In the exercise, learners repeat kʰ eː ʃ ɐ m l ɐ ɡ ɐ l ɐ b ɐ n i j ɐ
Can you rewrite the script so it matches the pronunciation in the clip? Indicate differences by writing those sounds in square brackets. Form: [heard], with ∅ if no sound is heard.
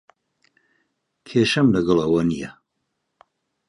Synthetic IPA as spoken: kʰ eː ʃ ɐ m l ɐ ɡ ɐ l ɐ [w] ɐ n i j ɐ